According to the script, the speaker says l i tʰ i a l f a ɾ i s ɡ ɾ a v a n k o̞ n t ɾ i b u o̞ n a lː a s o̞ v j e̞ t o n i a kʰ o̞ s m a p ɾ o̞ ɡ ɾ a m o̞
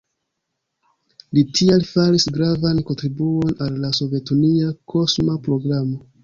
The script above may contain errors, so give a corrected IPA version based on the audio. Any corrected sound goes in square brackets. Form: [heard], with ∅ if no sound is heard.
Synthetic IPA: l i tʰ i a l f a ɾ i s ɡ ɾ a v a n k o̞ n t ɾ i b u o̞ n a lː a s o̞ v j e̞ t [u] n i a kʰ o̞ s m a p ɾ o̞ ɡ ɾ a m o̞